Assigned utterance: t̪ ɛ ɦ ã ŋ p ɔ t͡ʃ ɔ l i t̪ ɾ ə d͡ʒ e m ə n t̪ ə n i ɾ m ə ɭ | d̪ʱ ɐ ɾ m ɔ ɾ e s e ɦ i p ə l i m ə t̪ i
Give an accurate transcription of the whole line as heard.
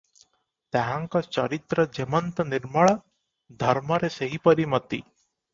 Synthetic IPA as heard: t̪ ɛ ɦ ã ŋ k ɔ t͡ʃ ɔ ɾ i t̪ ɾ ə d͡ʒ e m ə n t̪ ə n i ɾ m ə ɭ | d̪ʱ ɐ ɾ m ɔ ɾ e s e ɦ i p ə ɾ i m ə t̪ i

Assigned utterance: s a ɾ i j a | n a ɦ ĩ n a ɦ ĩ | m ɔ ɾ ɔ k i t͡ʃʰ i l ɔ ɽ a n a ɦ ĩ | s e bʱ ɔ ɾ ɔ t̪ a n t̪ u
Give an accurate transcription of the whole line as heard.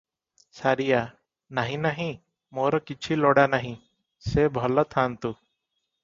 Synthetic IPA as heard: s a ɾ i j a | n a ɦ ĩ n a ɦ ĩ | m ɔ ɾ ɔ k i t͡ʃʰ i l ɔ ɽ a n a ɦ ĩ | s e bʱ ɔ l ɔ t̪ʰ a n t̪ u

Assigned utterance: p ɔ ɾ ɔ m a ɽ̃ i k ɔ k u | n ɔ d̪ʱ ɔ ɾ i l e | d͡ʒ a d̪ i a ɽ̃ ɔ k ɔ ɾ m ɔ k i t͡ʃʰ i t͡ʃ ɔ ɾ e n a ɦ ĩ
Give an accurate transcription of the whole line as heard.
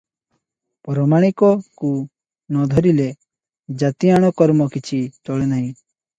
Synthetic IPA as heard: p ɔ ɾ ɔ m a ɽ̃ i k ɔ k u | n ɔ d̪ʱ ɔ ɾ i l e | d͡ʒ a t̪ i a ɽ̃ ɔ k ɔ ɾ m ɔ k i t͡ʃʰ i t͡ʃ ɔ ɭ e n a ɦ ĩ

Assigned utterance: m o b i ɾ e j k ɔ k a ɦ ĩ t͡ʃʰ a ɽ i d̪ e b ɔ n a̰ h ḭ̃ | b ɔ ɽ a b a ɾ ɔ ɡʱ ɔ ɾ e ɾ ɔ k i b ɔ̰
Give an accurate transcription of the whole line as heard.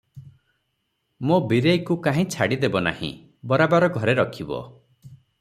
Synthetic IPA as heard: m o b i ɾ e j k u k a ɦ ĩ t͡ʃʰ a ɽ i d̪ e b ɔ n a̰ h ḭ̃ | b ɔ ɾ a b a ɾ ɔ ɡʱ ɔ ɾ e ɾ ɔ kʰ i b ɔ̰

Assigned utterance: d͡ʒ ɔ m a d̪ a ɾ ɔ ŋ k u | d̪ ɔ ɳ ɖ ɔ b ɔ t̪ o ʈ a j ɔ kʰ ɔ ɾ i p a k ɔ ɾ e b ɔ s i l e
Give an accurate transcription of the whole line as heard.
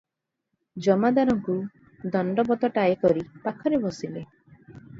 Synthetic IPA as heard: d͡ʒ ɔ m a d̪ a ɾ ɔ ŋ k u | d̪ ɔ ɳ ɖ ɔ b ɔ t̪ ɔ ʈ a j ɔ k ɔ ɾ i p a kʰ ɔ ɾ e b ɔ s i l e

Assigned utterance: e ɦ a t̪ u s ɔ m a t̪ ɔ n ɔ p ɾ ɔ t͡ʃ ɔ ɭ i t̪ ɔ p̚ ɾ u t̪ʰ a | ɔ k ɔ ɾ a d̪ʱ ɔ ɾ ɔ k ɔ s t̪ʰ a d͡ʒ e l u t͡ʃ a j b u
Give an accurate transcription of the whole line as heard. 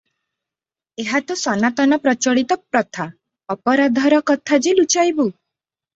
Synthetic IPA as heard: e ɦ a t̪ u s ɔ n a t̪ ɔ n ɔ p ɾ ɔ t͡ʃ ɔ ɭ i t̪ ɔ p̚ ɾ ɔ t̪ʰ a | ɔ p ɔ ɾ a d̪ʱ ɔ ɾ ɔ k ɔ t̪ʰ a d͡ʒ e l u t͡ʃ a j b u

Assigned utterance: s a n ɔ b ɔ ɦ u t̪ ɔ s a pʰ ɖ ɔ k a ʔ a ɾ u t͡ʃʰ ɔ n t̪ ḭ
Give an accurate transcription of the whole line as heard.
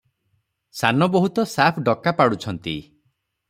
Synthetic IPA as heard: s a n ɔ b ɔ ɦ u t̪ ɔ s a pʰ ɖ ɔ k a p a ɽ u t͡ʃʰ ɔ n t̪ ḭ

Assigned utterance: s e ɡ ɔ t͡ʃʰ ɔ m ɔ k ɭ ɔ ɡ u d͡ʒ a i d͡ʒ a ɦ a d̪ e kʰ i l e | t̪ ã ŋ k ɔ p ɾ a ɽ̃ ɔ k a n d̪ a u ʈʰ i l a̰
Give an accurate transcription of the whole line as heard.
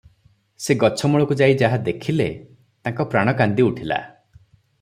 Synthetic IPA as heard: s e ɡ ɔ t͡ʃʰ ɔ m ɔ ɭ ɔ k u d͡ʒ a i d͡ʒ a ɦ a d̪ e kʰ i l e | t̪ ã ŋ k ɔ p ɾ a ɽ̃ ɔ k a n d̪ i u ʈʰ i l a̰

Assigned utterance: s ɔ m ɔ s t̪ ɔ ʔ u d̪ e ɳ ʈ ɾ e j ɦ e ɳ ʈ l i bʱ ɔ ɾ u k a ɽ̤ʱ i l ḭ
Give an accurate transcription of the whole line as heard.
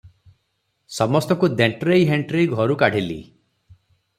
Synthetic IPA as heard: s ɔ m ɔ s t̪ ɔ k u d̪ e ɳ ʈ ɾ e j ɦ e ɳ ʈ ɾ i ɡʱ ɔ ɾ u k a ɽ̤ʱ i l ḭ

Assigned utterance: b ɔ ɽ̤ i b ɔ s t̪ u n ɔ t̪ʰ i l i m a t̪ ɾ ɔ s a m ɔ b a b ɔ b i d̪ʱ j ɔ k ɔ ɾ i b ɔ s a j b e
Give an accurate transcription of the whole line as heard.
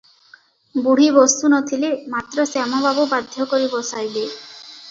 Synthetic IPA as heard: b u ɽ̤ i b ɔ s t̪ u n ɔ t̪ʰ i l e m a t̪ ɾ ɔ s a m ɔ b a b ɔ b a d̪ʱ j ɔ k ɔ ɾ i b ɔ s a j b e

